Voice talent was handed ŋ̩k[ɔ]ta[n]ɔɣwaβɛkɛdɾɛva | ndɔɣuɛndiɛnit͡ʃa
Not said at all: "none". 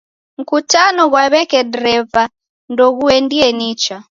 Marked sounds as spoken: u, n

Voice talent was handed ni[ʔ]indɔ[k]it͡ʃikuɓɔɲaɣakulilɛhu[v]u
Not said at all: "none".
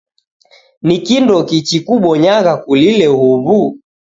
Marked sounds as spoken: k, k, β

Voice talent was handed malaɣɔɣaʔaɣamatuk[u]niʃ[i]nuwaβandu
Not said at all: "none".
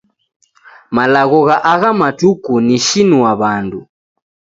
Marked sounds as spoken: u, i

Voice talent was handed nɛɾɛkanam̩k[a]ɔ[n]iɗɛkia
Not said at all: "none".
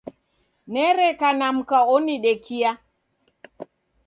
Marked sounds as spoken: a, n

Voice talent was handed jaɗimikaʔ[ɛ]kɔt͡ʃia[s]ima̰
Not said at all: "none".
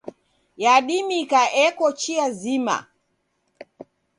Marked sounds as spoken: ɛ, z

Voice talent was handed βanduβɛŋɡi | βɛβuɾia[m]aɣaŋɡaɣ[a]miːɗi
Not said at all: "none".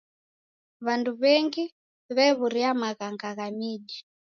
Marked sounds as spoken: m, a

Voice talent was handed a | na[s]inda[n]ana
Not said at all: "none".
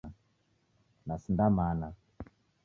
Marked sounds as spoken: s, m

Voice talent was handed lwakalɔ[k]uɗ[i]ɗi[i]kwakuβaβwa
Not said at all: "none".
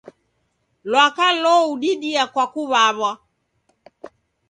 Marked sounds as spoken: none, i, a

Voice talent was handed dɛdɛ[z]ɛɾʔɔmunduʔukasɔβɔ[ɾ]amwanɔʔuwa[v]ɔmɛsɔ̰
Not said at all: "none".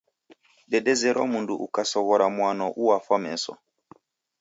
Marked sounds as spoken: z, ɾ, f

